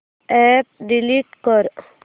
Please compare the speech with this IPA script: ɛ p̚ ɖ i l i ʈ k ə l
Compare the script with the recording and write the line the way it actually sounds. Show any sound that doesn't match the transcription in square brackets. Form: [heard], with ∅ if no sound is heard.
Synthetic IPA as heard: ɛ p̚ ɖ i l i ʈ k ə [ɾ]